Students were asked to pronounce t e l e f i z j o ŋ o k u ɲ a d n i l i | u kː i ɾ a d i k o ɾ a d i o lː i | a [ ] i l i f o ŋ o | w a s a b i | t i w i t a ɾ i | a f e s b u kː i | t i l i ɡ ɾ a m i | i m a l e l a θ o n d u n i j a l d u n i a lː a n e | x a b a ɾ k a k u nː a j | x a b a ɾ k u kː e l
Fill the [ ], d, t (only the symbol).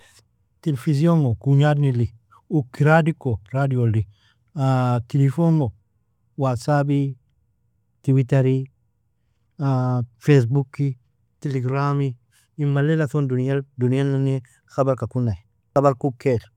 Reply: t